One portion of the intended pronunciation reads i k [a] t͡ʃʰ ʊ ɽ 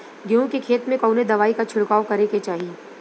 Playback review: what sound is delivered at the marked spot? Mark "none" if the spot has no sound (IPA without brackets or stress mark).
a